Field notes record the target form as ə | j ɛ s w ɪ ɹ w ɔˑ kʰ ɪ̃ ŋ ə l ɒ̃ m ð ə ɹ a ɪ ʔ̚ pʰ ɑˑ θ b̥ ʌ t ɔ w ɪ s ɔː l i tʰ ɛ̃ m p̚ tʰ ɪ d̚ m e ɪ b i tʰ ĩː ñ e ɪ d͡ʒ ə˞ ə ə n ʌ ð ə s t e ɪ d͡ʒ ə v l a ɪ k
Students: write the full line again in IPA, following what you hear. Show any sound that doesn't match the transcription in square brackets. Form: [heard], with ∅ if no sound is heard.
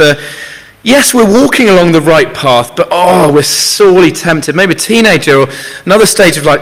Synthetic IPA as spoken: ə | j ɛ s w ɪ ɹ w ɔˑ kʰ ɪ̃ ŋ ə l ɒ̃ [ŋ] ð ə ɹ a ɪ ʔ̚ pʰ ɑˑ θ b̥ ʌ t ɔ w ɪ s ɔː l i tʰ ɛ̃ m p̚ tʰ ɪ d̚ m e ɪ b i tʰ ĩː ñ e ɪ d͡ʒ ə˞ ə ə n ʌ ð ə s t e ɪ d͡ʒ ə v l a ɪ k